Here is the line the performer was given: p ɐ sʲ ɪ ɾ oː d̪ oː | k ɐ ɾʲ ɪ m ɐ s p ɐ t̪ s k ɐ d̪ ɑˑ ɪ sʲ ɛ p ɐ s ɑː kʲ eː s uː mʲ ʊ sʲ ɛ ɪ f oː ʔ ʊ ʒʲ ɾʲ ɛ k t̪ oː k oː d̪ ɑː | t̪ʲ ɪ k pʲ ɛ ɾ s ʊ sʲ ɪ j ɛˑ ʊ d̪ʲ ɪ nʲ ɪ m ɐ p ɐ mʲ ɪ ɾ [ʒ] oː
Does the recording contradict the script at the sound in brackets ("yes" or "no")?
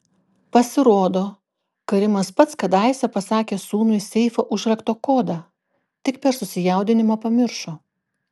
yes